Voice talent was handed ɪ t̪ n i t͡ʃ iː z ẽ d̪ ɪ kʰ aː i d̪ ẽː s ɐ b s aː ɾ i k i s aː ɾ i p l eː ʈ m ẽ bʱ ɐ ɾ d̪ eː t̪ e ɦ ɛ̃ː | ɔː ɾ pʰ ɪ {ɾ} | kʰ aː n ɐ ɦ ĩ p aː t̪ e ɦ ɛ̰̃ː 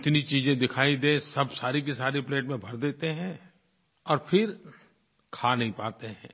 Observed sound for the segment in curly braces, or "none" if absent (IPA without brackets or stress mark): ɾ